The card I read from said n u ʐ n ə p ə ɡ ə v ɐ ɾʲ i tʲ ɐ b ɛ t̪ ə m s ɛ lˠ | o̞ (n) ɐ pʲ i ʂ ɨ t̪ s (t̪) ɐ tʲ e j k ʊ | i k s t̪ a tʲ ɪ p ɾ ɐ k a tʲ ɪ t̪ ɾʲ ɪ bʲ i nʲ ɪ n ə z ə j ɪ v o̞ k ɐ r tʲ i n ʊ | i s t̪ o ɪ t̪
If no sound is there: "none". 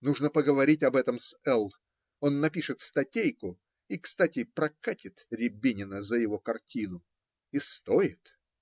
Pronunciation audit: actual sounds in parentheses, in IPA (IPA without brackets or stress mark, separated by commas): nː, t̪